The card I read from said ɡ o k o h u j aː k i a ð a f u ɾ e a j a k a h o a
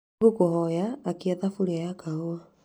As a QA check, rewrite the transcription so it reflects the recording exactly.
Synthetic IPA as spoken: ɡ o k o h ɔ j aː k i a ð a f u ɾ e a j a k a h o a